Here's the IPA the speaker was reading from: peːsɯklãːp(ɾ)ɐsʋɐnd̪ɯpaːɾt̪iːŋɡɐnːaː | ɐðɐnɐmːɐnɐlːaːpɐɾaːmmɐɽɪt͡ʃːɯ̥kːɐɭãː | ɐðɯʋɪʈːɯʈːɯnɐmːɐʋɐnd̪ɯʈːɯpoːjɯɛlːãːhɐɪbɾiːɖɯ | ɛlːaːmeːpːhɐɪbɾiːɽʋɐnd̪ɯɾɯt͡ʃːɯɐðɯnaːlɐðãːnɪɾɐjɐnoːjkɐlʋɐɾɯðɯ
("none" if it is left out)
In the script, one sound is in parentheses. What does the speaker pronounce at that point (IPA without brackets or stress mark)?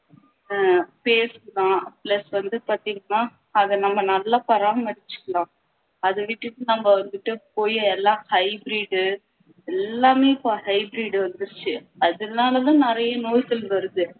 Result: l